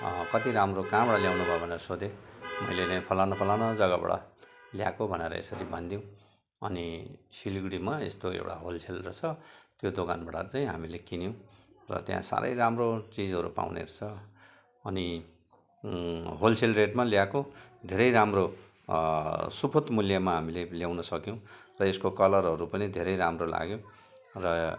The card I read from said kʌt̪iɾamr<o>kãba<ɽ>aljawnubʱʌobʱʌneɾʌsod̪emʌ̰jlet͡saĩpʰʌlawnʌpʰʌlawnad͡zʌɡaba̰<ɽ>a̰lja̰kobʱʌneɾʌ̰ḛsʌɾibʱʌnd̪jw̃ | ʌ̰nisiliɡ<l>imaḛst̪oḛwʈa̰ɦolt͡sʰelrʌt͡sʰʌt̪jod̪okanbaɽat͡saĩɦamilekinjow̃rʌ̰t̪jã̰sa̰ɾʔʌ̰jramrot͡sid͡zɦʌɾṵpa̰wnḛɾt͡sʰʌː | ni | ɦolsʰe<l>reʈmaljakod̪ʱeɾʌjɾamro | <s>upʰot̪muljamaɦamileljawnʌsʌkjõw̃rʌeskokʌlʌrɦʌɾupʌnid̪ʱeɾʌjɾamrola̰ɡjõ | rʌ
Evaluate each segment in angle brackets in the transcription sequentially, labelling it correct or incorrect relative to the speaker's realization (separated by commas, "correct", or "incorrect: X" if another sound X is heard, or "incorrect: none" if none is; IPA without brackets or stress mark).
correct, correct, correct, incorrect: ɽ, correct, correct